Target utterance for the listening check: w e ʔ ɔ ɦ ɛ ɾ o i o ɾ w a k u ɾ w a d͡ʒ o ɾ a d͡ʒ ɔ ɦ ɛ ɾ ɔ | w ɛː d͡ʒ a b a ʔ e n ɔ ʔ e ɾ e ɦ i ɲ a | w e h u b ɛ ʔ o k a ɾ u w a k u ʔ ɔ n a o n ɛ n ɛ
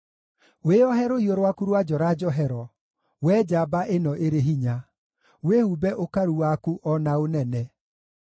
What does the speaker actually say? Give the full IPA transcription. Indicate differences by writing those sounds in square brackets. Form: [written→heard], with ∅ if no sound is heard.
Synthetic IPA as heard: w e [ʔ→∅] ɔ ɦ ɛ ɾ o i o ɾ w a k u ɾ w a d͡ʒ [o→ɔ] ɾ a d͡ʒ ɔ ɦ ɛ ɾ ɔ | w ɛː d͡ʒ a b a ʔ e n ɔ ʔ e ɾ e ɦ i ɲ a | w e h u b ɛ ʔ o k a ɾ u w a k u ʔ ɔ n a o n ɛ n ɛ

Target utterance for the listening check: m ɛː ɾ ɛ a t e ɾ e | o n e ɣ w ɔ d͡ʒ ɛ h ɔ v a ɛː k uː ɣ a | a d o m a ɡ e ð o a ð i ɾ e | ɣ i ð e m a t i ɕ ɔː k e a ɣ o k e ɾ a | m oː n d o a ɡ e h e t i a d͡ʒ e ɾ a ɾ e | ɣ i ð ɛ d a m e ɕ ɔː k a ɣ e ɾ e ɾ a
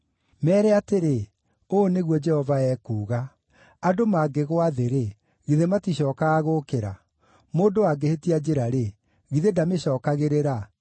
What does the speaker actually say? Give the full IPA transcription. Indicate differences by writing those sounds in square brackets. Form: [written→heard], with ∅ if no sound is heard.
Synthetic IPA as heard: m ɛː ɾ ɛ a t e ɾ e | o n e ɣ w ɔ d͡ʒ ɛ h ɔ v a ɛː k uː ɣ a | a d o m a ɡ e [ð→ɣ] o a ð [i→e] ɾ e | ɣ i ð e m a t i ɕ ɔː k [e→a] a ɣ o k e ɾ a | m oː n d o a ɡ e h e t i a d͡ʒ e ɾ a ɾ e | ɣ i ð [ɛ→e] d a m e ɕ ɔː k a ɣ e ɾ e ɾ a

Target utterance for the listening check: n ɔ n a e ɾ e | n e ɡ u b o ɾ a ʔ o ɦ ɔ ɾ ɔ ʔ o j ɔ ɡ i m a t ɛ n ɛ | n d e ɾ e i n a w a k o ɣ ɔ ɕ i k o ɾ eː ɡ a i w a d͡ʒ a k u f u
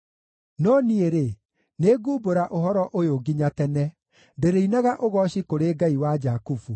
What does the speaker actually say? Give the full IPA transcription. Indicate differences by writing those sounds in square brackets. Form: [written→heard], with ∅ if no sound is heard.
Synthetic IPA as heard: n ɔ n [a→i] e ɾ e | n e ɡ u b o ɾ a ʔ o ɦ ɔ ɾ ɔ ʔ o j [ɔ→o] ɡ i [m→ɲ] a t ɛ n ɛ | n d e ɾ e i n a [w→ɣ] a [k→ʔ] o ɣ ɔ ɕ i k o ɾ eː ɡ a i w a d͡ʒ a k u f u

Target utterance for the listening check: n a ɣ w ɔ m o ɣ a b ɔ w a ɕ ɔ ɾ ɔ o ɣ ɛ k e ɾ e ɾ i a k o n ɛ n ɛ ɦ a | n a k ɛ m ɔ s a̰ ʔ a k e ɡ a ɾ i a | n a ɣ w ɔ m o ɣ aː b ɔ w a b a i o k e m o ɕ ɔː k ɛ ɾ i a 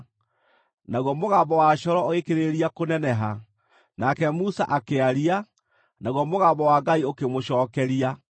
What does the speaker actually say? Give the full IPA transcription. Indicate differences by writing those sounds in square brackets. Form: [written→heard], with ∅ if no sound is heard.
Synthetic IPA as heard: n a ɣ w ɔ m o ɣ a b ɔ w a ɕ ɔ ɾ ɔ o ɣ [ɛ→e] k e ɾ e ɾ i a k o n ɛ n ɛ ɦ a | n a k ɛ m [ɔ→u] s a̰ ʔ a k e [ɡ→∅] a ɾ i a | n a ɣ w ɔ m o ɣ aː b ɔ w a [b→ɡ] a i o k e m o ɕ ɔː k ɛ ɾ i a

